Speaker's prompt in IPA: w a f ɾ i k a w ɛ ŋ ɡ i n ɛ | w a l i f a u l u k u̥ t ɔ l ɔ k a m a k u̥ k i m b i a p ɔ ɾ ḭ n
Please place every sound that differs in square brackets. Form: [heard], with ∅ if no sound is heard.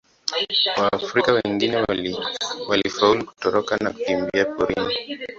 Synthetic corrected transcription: w a f ɾ i k a w ɛ ŋ ɡ i n ɛ | w a l i f a u l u k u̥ t ɔ [ɾ] ɔ k a [n] a k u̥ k i m b i a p ɔ ɾ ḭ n